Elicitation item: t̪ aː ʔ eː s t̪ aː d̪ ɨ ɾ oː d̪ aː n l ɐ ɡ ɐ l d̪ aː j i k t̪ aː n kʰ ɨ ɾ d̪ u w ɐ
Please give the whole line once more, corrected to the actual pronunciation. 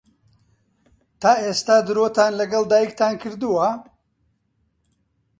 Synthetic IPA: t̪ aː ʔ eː s t̪ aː d̪ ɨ ɾ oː t̪ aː n l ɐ ɡ ɐ l d̪ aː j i k t̪ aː n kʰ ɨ ɾ d̪ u w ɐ